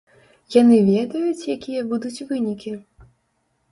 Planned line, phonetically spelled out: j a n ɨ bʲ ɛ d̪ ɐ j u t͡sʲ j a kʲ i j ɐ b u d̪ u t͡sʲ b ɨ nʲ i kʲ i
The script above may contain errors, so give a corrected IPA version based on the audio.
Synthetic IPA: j a n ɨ vʲ ɛ d̪ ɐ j u t͡sʲ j a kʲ i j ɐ b u d̪ u t͡sʲ v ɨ nʲ i kʲ i